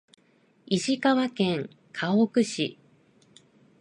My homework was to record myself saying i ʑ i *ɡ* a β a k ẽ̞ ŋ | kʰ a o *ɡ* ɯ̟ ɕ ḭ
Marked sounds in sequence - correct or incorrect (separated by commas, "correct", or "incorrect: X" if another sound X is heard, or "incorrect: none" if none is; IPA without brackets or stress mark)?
incorrect: k, incorrect: k